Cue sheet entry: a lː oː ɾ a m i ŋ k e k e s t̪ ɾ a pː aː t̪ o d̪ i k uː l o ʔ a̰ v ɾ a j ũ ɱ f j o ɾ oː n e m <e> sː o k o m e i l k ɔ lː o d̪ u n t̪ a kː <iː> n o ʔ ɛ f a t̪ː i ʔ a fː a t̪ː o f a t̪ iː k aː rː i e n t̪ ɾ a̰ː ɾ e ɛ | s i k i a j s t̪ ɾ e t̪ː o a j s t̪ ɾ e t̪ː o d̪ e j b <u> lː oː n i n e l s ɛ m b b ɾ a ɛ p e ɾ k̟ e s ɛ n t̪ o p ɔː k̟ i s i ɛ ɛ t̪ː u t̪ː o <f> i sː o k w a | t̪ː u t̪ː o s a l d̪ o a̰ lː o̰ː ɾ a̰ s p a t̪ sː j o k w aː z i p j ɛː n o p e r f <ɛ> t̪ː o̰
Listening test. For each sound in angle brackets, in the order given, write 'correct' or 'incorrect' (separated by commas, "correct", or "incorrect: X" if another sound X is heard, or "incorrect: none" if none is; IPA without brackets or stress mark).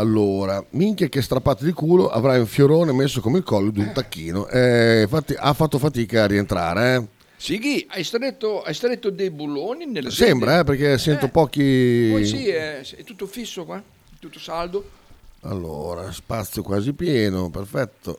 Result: correct, correct, correct, correct, correct